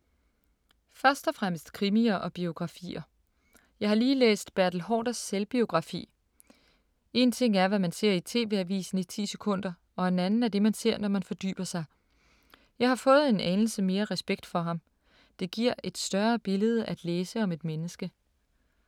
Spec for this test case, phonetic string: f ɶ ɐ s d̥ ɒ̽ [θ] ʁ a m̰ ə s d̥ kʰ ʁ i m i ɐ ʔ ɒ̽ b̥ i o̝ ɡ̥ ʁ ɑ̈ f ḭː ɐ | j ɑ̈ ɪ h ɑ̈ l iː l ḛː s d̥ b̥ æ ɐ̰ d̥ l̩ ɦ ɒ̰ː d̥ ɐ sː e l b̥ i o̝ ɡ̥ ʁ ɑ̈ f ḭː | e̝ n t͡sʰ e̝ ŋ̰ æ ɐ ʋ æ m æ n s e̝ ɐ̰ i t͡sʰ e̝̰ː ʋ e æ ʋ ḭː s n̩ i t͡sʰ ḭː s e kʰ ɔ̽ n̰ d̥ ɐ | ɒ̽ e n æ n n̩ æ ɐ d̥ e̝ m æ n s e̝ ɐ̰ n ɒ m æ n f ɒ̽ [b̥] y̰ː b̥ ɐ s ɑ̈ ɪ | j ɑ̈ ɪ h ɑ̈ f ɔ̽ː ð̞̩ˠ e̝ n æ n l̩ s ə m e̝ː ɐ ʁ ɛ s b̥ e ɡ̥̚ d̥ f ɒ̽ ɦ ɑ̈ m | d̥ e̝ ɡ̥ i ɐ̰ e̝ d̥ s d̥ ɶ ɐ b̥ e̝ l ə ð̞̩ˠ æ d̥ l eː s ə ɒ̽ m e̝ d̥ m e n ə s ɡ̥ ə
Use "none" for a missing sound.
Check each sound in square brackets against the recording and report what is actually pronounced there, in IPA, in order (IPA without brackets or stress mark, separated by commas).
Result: f, d̥